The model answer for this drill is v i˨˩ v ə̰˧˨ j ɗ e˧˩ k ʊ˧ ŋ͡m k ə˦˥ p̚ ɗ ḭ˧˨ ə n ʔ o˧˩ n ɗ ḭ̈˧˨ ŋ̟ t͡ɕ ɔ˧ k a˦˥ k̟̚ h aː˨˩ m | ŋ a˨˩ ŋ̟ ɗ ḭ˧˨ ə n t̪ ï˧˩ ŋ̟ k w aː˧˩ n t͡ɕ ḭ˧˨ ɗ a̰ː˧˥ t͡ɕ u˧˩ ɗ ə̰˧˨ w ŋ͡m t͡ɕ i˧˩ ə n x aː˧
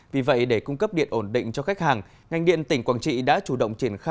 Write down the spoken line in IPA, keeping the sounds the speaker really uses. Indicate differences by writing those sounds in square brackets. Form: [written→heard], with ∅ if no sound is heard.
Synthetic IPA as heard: v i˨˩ v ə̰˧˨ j ɗ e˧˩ k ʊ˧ ŋ͡m k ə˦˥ p̚ ɗ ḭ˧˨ ə n ʔ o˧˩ n ɗ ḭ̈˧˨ ŋ̟ t͡ɕ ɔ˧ [k→x] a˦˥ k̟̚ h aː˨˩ [m→ŋ] | ŋ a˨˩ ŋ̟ ɗ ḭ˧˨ ə n t̪ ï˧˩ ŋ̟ k w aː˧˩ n t͡ɕ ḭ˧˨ ɗ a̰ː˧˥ t͡ɕ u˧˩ ɗ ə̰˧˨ w ŋ͡m t͡ɕ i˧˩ ə n x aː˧